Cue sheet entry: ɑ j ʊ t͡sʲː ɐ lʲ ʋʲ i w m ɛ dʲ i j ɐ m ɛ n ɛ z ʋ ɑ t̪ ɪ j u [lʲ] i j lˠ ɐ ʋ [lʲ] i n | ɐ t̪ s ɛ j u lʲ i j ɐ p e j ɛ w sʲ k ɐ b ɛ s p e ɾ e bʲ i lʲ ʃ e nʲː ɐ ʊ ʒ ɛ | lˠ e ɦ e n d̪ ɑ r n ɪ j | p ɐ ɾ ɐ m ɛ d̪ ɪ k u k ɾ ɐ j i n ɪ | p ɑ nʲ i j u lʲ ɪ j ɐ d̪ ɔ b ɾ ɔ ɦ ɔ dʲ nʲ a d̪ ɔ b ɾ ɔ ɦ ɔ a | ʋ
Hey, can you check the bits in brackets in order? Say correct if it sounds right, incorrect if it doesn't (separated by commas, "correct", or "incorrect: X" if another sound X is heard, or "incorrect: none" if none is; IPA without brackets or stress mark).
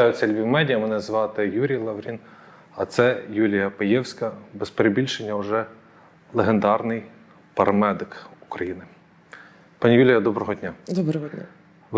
incorrect: ɾʲ, incorrect: ɾʲ